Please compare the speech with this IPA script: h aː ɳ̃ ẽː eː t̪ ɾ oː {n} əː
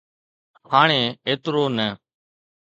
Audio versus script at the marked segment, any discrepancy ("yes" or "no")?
no